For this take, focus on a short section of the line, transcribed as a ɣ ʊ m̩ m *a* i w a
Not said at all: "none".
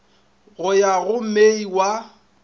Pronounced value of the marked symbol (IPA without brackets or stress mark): e